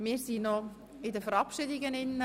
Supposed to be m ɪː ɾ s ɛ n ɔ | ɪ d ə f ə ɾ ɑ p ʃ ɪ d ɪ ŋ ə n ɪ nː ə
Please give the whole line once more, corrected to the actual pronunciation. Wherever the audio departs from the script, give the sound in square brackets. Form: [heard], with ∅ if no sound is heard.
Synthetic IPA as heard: m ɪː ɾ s [i] n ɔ | ɪ d ə f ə ɾ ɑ p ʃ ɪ d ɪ [ɡ] ə n ɪ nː ə